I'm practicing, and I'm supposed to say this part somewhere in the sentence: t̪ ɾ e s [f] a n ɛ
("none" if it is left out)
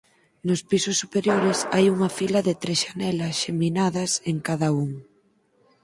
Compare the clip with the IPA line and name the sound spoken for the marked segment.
ʃ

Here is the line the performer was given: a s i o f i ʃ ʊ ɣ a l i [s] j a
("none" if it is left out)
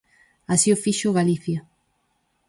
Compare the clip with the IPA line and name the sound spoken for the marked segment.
θ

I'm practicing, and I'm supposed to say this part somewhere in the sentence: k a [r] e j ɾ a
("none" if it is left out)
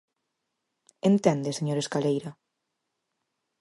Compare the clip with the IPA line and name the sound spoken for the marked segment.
l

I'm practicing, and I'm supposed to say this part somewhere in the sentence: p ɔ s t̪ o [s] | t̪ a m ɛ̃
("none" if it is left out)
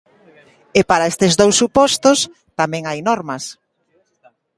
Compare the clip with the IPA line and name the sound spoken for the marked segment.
s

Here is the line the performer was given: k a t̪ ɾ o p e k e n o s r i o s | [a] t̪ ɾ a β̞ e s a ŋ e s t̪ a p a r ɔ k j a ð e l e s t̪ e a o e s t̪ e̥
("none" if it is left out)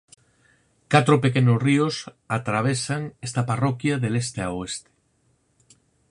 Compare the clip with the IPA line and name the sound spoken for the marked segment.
a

